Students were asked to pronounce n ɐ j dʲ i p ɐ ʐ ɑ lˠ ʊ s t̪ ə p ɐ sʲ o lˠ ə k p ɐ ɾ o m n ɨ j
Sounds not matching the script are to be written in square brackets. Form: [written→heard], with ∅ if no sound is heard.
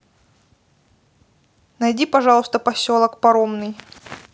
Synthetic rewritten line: n ɐ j dʲ i p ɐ ʐ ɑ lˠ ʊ s t̪ ə p ɐ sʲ o lˠ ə k p ɐ ɾ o m n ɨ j